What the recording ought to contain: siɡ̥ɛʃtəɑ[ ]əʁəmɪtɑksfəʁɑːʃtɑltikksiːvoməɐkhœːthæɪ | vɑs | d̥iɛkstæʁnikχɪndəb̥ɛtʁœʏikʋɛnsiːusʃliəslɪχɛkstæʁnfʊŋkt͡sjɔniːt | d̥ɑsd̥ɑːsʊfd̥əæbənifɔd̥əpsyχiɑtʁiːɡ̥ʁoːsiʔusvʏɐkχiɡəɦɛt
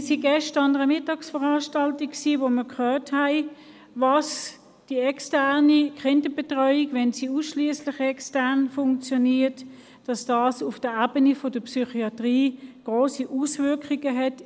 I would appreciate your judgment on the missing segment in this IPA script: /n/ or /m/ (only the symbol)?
n